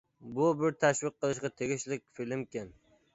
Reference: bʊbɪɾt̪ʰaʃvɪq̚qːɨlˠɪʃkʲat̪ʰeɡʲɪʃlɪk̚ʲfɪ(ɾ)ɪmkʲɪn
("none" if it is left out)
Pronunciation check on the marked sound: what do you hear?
l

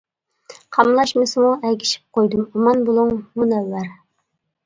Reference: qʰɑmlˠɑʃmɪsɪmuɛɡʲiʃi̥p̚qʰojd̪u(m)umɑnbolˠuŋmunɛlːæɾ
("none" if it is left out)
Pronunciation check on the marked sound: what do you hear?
m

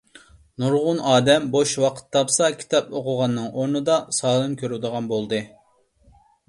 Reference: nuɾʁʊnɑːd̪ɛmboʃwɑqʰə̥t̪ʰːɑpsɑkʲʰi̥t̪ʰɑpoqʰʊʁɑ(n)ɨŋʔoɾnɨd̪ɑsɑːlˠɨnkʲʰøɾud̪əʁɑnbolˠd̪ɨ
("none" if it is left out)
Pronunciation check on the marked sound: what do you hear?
nː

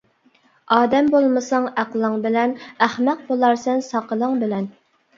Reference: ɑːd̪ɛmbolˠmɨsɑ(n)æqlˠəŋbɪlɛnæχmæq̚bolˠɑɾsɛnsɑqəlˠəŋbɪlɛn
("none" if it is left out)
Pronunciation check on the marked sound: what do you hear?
ŋ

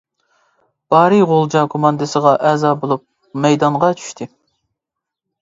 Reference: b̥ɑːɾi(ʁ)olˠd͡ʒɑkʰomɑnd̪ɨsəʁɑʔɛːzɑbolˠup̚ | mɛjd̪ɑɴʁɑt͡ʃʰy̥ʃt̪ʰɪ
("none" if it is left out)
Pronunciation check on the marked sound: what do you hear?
ʁ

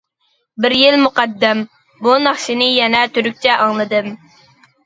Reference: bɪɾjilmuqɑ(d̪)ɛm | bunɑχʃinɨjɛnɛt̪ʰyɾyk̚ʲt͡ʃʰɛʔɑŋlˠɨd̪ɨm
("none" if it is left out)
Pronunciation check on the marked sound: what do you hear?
d̪ː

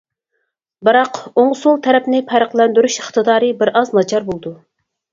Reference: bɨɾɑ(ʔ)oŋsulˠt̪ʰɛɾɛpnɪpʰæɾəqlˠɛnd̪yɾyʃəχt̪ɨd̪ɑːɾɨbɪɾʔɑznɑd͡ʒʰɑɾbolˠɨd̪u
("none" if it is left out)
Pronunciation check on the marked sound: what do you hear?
q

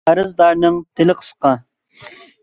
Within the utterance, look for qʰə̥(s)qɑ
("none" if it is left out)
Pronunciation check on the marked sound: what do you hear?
s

